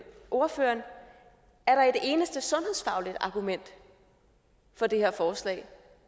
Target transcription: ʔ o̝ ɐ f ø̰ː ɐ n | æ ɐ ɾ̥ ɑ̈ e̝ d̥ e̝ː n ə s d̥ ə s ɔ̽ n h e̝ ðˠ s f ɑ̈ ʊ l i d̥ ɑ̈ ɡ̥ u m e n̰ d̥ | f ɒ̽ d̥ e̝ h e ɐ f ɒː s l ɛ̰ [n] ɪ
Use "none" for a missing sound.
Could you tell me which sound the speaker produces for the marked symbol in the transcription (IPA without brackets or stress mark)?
none